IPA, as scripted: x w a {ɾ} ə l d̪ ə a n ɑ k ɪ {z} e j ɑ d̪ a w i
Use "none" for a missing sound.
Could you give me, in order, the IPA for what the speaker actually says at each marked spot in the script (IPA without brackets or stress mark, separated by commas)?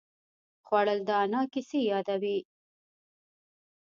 ɽ, s